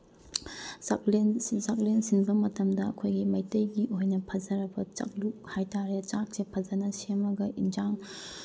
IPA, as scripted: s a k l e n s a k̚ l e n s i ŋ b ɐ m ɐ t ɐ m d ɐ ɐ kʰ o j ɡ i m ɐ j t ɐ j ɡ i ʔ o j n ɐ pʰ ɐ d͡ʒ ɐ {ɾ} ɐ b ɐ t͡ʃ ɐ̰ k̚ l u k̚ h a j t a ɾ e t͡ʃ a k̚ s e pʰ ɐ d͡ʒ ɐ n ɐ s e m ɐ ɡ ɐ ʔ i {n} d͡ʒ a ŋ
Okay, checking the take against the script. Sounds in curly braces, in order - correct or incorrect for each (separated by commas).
correct, correct